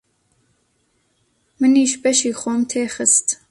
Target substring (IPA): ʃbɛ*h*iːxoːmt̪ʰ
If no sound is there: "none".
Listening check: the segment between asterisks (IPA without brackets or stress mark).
ʃ